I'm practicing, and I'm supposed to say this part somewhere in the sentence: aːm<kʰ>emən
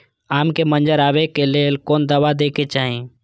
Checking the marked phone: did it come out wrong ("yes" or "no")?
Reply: yes